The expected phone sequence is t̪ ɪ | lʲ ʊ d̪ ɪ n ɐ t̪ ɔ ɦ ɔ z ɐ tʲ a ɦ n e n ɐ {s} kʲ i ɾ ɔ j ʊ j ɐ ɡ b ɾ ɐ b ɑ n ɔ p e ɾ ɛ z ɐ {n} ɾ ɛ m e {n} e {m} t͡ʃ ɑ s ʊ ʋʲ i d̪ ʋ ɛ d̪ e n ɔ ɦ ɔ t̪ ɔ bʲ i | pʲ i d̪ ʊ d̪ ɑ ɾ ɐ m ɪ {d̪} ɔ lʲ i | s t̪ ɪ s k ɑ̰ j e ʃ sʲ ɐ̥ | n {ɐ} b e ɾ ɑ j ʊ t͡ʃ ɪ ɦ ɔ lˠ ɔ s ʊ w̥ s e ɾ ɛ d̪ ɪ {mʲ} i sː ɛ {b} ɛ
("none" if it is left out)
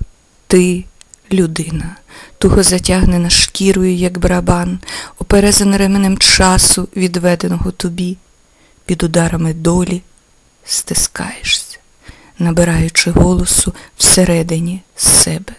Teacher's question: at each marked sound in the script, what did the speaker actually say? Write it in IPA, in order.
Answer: ʃ, n, n, m, d̪, ɐ, nʲ, b

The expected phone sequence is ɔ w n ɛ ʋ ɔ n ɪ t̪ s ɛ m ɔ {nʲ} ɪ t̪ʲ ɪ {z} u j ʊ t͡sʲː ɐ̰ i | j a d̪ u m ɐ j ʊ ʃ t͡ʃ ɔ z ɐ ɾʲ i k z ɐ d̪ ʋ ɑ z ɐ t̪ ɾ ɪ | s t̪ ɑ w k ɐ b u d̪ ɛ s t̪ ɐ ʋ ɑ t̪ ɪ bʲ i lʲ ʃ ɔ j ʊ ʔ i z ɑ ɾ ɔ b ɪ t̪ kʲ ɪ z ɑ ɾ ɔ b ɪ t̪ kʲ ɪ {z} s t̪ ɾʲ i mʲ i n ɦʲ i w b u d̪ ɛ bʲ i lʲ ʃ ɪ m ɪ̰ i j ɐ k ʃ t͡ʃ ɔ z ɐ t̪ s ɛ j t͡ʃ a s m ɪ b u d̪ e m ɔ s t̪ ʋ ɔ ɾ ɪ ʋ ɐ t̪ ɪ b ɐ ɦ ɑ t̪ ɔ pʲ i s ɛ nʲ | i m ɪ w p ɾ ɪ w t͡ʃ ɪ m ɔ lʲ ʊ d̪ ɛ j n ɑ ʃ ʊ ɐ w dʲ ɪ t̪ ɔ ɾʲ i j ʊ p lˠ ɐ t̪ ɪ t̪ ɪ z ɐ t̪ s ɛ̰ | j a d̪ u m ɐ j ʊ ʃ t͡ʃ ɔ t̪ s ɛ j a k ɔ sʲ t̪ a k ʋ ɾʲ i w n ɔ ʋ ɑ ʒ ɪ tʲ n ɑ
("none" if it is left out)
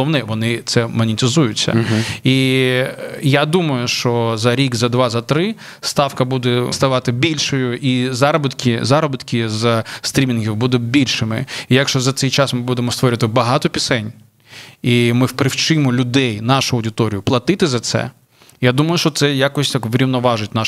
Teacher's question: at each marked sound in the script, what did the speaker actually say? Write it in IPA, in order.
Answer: nʲ, z, z

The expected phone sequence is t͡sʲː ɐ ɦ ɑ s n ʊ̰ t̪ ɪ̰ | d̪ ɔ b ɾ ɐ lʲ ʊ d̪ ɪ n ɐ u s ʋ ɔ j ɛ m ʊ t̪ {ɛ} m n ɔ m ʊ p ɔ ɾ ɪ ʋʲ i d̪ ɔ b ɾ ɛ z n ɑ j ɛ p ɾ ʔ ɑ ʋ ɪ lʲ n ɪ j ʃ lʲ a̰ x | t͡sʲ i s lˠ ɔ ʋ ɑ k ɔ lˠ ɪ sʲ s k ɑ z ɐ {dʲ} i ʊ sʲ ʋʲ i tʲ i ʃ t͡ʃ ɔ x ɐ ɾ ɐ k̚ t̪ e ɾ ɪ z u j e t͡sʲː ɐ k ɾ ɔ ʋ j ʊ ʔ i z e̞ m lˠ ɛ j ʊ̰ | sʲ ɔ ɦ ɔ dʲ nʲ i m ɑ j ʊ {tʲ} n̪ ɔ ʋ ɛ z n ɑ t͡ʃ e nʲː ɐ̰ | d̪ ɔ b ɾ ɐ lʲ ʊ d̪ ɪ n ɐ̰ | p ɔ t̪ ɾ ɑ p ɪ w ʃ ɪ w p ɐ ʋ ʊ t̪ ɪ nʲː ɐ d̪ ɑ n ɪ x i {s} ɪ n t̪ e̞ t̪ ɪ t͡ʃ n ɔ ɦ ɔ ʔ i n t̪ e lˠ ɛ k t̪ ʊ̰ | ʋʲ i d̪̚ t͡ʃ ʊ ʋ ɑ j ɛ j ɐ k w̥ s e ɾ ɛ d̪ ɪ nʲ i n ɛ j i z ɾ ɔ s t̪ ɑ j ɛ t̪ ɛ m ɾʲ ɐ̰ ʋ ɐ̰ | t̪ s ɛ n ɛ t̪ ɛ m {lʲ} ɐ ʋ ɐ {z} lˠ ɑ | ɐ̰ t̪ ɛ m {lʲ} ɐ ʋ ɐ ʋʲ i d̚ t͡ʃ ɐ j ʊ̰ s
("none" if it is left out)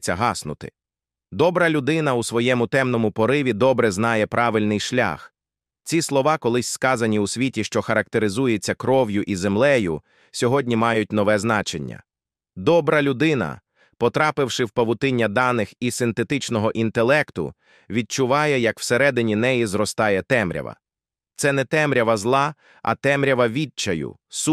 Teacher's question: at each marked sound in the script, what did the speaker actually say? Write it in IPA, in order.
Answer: ɛ, nʲ, tʲ, s, ɾʲ, z, ɾʲ

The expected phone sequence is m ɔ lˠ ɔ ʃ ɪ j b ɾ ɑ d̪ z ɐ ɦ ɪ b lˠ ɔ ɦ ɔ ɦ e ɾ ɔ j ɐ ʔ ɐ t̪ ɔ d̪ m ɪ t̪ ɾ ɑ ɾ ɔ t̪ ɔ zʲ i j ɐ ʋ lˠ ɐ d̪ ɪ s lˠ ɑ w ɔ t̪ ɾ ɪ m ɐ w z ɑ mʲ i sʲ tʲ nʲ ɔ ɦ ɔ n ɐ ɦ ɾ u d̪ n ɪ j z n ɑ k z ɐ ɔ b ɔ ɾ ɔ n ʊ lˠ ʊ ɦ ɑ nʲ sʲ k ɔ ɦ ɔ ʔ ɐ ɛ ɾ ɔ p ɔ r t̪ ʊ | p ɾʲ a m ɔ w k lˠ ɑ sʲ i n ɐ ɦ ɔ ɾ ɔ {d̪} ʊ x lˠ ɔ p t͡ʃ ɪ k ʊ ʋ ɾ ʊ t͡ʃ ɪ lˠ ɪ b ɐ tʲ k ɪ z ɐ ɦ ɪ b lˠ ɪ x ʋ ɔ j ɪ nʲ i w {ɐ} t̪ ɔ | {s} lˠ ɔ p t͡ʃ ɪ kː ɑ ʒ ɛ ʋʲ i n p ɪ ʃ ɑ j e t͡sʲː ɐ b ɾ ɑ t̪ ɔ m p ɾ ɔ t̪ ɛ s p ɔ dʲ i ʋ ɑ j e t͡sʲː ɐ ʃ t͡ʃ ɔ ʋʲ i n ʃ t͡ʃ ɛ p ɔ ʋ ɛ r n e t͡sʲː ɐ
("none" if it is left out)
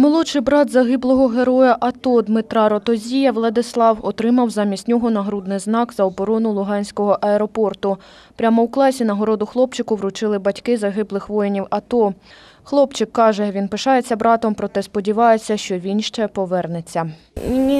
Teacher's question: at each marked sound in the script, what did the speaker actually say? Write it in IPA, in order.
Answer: d̪, ɐ, x

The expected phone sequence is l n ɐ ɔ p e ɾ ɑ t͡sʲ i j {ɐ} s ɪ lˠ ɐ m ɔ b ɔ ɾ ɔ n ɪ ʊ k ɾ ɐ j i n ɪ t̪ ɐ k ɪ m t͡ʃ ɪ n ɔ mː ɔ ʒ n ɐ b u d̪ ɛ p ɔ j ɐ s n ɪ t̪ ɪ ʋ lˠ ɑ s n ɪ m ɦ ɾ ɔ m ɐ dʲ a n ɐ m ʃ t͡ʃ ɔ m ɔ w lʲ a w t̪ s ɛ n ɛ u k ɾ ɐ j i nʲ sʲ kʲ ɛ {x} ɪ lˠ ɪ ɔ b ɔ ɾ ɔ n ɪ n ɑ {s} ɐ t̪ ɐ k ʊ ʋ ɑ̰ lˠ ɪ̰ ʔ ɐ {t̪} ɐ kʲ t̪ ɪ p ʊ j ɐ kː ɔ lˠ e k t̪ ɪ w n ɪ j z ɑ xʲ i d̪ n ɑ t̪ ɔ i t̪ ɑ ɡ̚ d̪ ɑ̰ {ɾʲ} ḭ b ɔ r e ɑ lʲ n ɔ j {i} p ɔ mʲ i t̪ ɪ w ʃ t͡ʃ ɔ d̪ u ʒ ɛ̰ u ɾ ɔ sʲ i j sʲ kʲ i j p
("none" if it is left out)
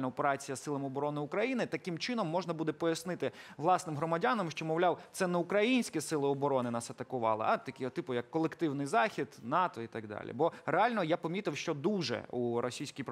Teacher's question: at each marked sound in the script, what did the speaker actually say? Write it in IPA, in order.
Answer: ɐ, s, s, t̪, lʲ, a

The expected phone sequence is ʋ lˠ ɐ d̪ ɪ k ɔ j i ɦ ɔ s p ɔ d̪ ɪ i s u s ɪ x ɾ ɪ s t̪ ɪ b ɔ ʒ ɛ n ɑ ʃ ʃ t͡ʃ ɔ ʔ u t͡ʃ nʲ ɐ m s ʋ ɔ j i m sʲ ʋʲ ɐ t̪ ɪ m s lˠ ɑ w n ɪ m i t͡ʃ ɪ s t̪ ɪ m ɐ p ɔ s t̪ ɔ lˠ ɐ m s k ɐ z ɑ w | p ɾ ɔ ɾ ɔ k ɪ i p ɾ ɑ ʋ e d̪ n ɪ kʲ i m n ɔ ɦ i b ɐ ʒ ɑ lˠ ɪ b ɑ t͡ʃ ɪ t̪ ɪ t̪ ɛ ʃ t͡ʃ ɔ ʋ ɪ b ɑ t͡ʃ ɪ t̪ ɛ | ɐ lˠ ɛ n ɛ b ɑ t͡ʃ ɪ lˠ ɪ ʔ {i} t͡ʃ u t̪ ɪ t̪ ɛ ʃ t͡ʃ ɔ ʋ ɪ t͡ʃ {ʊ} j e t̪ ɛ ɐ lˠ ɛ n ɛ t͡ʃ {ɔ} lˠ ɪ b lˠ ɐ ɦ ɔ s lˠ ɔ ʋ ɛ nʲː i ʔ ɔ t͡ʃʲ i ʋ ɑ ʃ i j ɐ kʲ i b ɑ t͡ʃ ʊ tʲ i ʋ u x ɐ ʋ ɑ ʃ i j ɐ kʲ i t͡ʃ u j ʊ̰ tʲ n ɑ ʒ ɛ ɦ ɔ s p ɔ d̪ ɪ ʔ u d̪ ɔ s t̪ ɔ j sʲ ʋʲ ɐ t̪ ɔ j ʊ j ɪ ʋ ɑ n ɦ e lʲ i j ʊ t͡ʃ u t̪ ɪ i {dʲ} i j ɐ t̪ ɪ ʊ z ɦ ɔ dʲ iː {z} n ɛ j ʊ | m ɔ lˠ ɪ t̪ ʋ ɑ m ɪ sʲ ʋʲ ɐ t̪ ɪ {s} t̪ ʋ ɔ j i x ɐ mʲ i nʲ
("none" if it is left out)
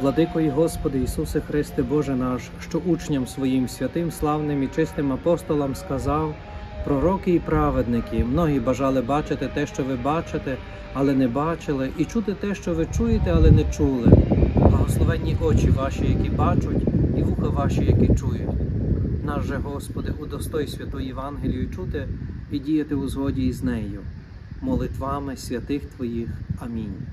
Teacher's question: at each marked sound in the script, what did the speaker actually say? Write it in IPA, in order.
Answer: i, u, u, dʲ, z, x

